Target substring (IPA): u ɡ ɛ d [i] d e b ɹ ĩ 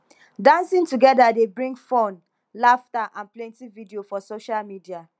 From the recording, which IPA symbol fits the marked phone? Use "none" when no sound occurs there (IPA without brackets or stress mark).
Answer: a